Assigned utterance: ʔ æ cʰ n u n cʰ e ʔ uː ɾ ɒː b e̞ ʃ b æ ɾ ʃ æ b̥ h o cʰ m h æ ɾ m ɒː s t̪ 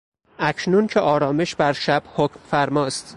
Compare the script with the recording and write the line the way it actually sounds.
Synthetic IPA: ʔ æ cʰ n u n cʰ e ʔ ɒː ɾ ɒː m e̞ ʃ b æ ɾ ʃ æ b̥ h o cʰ m f æ ɾ m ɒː s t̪